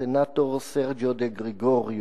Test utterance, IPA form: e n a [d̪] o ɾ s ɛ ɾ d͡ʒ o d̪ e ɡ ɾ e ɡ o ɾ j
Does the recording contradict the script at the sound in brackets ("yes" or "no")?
yes